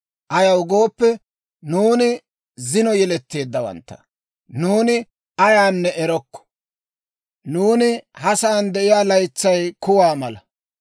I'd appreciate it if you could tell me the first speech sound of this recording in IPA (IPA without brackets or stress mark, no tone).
ʔ